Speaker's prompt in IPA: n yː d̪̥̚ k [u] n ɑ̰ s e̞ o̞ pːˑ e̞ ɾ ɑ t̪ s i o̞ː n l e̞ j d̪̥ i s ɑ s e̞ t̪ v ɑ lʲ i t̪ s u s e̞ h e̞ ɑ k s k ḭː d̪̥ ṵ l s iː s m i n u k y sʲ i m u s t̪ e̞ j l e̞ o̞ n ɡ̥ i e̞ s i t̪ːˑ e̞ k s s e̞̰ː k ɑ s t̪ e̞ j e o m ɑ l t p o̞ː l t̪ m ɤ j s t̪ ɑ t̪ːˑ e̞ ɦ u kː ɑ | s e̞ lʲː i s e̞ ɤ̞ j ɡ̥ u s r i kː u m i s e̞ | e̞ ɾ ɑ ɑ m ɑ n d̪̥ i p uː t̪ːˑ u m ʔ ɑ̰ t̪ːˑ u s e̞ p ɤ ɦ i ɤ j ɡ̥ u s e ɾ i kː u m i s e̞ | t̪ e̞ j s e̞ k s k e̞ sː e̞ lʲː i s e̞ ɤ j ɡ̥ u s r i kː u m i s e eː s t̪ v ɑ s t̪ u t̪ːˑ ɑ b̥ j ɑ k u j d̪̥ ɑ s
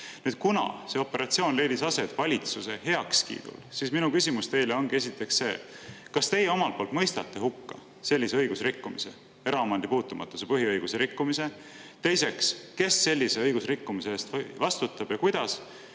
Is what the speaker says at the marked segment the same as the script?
yes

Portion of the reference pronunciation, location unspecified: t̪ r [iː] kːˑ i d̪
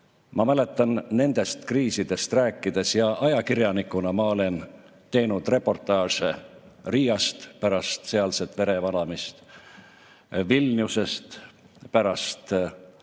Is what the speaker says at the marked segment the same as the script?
no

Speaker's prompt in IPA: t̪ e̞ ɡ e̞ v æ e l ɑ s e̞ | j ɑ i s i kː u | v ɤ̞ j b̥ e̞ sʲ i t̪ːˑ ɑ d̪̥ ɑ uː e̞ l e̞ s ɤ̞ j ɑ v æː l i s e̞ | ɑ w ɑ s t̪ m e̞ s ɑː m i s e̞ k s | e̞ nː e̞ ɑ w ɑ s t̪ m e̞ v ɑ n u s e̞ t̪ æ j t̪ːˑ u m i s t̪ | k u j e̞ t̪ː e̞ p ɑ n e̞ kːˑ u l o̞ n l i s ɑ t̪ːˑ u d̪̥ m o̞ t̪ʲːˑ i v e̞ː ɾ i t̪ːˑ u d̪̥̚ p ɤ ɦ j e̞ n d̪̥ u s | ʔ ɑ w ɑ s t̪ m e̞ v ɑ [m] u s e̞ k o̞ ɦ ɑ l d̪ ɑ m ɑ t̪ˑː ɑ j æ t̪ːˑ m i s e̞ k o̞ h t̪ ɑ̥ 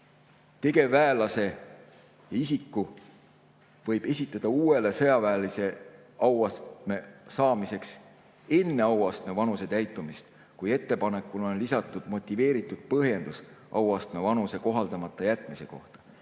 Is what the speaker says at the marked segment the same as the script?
no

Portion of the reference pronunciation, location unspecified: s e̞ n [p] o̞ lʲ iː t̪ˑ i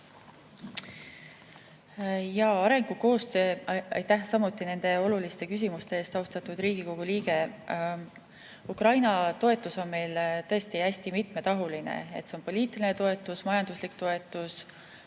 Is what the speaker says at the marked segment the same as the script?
yes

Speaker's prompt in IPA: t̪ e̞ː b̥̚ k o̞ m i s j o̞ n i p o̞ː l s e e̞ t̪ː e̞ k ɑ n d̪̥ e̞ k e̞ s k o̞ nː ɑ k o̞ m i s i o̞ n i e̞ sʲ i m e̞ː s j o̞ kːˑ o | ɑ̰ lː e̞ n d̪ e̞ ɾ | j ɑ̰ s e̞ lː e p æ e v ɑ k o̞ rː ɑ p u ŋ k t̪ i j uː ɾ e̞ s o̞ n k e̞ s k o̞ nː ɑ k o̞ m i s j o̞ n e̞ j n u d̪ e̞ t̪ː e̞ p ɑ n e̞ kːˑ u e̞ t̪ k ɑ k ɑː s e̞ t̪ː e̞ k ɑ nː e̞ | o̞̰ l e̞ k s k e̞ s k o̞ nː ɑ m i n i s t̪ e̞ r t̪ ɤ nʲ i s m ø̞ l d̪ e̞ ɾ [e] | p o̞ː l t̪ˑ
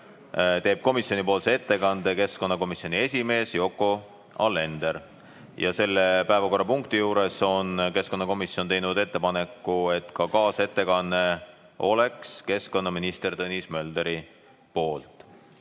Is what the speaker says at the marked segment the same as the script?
no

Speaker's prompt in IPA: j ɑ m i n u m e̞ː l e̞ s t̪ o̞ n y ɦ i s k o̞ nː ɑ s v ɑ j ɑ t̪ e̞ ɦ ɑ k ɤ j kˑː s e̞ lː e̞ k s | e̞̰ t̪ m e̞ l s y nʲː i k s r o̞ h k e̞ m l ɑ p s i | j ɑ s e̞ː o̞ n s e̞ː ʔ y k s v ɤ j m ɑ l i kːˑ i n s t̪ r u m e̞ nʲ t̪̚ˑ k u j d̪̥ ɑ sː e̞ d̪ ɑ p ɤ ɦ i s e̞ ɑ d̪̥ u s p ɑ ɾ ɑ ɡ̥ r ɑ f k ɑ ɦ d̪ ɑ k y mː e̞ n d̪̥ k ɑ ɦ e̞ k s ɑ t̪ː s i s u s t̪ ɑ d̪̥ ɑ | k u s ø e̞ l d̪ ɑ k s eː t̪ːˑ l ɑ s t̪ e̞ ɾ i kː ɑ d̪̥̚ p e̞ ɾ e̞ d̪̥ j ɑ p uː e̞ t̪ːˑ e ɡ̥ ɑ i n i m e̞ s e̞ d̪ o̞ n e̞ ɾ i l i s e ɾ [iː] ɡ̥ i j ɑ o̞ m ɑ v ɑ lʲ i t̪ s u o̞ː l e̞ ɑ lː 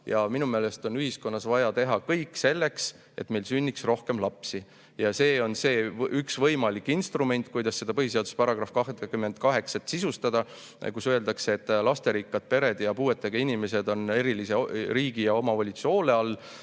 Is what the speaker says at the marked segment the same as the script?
yes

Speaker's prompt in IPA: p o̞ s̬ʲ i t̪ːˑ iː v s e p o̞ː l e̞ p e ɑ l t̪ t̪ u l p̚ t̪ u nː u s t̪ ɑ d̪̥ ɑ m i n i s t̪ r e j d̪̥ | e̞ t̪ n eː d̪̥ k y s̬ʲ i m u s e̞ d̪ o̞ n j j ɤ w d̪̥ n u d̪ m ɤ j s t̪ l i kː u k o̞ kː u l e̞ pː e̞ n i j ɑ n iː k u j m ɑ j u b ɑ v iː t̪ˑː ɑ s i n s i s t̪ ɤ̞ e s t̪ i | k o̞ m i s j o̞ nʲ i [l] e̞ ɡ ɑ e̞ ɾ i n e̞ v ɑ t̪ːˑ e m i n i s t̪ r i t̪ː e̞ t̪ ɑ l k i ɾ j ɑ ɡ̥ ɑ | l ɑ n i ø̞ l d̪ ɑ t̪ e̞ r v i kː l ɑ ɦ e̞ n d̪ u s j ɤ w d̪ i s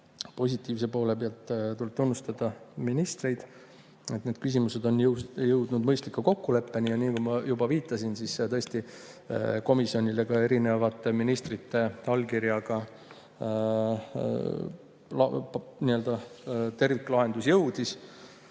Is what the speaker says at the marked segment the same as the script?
yes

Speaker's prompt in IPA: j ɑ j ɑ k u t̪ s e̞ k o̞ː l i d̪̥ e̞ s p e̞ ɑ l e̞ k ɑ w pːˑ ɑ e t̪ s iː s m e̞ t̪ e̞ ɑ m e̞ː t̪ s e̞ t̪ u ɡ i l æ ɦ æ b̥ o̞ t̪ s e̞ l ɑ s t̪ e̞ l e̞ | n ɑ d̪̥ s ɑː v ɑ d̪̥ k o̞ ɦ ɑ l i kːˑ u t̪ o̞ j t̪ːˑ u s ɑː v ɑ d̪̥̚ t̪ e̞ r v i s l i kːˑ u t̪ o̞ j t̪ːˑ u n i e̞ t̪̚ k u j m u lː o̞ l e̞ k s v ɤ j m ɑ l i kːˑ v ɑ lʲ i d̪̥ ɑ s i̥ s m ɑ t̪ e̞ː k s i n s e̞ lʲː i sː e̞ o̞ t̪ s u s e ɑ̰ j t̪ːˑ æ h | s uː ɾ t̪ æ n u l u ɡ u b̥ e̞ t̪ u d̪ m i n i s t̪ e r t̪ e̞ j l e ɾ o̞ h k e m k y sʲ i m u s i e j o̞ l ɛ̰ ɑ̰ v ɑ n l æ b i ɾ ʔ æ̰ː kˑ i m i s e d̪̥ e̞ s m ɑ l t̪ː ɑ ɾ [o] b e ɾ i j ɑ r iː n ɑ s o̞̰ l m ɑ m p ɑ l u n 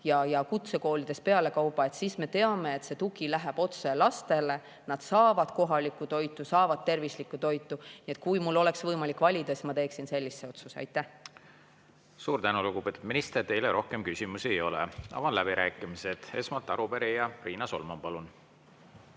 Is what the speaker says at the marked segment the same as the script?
no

